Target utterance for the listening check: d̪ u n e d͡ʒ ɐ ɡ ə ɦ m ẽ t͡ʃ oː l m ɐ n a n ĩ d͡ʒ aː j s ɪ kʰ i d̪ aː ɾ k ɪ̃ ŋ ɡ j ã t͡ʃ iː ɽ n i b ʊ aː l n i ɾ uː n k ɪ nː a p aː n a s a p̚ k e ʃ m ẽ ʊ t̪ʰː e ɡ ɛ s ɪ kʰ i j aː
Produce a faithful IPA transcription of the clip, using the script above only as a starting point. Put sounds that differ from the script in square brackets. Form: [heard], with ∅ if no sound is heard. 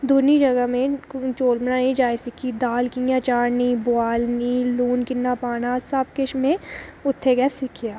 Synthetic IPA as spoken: d̪ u n [i] d͡ʒ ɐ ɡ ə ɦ m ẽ t͡ʃ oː l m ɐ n a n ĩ d͡ʒ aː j s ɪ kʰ i d̪ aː [l] k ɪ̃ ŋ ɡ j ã t͡ʃ [aː] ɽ n i b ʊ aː l n i [l] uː n k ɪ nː a p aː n a s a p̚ k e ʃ m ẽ ʊ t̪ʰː e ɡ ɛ s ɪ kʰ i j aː